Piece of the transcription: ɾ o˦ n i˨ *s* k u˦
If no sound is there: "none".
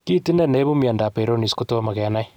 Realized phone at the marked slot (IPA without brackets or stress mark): s